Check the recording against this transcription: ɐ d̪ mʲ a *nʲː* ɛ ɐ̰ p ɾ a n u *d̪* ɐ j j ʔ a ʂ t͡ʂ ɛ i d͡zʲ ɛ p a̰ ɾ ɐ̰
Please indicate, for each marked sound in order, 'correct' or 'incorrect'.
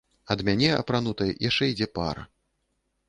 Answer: incorrect: nʲ, incorrect: t̪

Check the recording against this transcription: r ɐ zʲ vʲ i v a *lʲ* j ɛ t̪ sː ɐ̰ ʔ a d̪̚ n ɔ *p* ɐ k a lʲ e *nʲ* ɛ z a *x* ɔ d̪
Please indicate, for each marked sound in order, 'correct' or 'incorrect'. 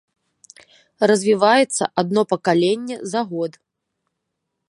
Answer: incorrect: none, correct, incorrect: nʲː, incorrect: ɣ

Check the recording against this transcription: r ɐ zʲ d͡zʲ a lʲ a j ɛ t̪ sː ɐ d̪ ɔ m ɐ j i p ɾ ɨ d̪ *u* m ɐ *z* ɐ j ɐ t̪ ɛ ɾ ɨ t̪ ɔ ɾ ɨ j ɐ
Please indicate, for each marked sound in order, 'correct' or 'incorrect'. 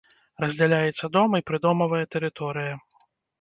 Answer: incorrect: ɔ, incorrect: v

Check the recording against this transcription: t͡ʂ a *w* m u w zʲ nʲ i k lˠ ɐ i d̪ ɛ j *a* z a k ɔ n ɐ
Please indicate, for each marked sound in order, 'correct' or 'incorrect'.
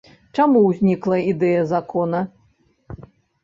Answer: incorrect: none, incorrect: ɐ

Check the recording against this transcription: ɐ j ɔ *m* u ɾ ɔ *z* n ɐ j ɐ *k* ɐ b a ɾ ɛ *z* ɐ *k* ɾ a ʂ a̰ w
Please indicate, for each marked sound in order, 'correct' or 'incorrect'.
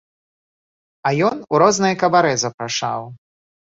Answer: incorrect: n, correct, correct, correct, incorrect: p

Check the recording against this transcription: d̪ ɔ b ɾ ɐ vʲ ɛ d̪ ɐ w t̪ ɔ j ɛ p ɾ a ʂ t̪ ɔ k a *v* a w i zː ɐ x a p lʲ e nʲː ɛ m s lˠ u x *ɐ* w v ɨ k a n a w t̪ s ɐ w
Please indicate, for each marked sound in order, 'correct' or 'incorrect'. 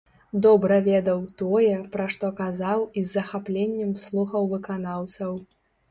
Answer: incorrect: z, correct

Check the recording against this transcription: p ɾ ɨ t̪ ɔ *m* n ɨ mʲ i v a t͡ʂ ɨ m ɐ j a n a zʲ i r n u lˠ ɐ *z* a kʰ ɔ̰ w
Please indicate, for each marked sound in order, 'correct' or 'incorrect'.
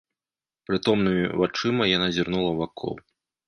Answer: correct, incorrect: v

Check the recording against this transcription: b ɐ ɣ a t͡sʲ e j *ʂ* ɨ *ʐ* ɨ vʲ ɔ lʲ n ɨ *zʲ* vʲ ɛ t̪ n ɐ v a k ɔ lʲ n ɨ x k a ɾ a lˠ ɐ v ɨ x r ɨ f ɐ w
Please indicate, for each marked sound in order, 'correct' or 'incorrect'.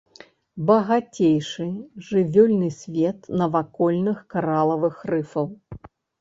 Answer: correct, correct, incorrect: sʲ

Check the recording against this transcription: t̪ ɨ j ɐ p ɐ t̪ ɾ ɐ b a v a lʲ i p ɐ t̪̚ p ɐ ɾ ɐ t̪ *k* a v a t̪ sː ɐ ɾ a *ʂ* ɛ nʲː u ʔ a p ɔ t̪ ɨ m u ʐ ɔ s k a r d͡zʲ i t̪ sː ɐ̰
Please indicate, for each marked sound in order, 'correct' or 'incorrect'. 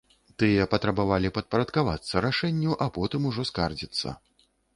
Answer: correct, correct

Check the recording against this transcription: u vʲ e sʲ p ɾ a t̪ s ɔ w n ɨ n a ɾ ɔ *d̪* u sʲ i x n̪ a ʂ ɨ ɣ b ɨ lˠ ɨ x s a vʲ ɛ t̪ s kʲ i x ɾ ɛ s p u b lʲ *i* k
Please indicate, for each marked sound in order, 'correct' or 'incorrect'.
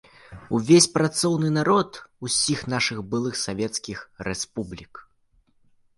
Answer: incorrect: t̪, correct

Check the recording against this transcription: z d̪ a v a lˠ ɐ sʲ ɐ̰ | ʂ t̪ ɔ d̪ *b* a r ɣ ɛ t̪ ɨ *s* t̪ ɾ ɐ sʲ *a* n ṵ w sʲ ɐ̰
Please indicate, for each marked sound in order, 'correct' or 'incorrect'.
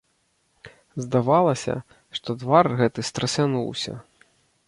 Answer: incorrect: v, correct, correct

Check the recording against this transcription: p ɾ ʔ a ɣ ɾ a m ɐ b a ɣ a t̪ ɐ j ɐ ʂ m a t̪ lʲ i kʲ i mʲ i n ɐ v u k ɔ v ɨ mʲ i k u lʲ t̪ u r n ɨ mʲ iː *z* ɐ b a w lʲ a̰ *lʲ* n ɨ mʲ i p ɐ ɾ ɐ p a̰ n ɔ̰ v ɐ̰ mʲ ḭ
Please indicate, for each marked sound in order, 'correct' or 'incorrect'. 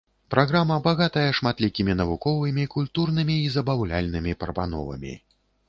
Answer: correct, correct

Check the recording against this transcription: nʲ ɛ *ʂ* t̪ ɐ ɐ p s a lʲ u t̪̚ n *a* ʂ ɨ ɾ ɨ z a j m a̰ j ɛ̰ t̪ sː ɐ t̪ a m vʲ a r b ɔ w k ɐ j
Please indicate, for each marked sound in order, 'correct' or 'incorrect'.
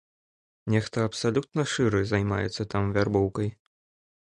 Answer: incorrect: x, incorrect: ɐ

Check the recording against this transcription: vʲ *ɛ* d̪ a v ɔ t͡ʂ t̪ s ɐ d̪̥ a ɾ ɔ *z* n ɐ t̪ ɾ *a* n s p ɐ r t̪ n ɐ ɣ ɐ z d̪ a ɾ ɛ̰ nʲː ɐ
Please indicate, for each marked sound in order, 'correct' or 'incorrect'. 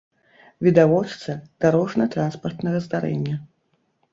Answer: incorrect: i, incorrect: ʐ, correct

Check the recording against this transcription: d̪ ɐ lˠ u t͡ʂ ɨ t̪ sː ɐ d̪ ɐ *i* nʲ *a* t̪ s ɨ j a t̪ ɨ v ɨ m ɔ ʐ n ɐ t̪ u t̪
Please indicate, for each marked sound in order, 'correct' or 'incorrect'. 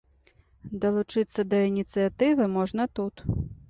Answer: correct, incorrect: i

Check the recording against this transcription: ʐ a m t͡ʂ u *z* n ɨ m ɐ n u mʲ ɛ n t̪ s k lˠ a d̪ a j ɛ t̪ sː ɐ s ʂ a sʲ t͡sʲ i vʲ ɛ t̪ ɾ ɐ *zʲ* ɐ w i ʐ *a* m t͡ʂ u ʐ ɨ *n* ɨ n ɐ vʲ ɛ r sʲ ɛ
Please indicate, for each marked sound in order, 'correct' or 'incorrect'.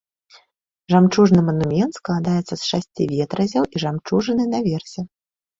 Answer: incorrect: ʐ, correct, correct, correct

